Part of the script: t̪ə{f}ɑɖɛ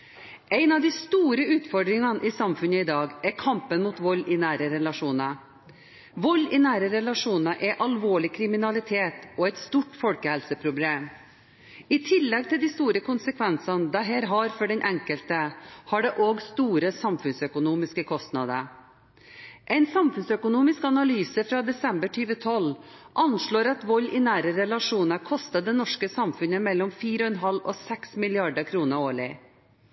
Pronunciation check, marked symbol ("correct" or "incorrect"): incorrect